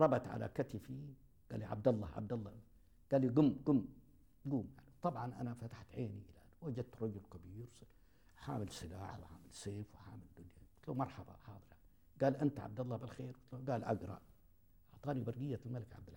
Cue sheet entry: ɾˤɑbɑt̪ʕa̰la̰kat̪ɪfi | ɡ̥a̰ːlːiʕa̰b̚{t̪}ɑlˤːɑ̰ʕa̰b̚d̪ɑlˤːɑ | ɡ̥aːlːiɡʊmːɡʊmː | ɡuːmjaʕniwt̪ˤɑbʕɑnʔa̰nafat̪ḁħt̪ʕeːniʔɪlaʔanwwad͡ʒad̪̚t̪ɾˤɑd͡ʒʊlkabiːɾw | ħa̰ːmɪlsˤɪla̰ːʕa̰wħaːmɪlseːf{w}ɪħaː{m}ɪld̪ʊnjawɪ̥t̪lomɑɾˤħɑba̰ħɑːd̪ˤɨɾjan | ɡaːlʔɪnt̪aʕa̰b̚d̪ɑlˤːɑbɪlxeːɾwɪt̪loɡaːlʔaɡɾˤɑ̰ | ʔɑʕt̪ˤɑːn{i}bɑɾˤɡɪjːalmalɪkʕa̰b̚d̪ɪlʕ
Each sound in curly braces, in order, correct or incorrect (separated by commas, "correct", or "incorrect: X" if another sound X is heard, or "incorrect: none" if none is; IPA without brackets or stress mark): incorrect: d̪, correct, correct, correct